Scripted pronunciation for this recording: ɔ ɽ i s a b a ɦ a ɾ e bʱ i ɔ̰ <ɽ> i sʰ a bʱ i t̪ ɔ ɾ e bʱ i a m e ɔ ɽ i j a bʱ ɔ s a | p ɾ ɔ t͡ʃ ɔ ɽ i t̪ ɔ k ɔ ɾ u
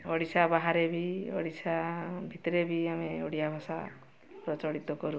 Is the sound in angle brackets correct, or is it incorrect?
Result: correct